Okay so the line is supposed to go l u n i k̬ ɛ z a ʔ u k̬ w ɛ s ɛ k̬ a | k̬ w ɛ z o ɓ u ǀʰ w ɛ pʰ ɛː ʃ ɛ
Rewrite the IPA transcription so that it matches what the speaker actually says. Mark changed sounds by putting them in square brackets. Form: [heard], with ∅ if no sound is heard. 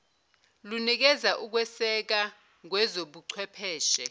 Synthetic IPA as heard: l u n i k̬ ɛ z a ʔ u k̬ w ɛ s ɛ k̬ a | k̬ w ɛ z o ɓ u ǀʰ w ɛ pʰ ɛː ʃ ɛ